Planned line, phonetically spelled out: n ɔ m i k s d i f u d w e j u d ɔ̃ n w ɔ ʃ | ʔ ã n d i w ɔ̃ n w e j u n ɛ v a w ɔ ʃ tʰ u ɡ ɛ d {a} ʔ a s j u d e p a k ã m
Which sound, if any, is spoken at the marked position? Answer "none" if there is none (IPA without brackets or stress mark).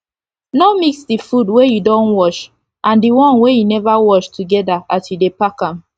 a